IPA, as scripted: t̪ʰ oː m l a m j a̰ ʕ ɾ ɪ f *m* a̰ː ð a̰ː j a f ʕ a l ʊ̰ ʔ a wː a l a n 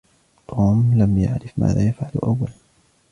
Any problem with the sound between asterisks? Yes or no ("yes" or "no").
no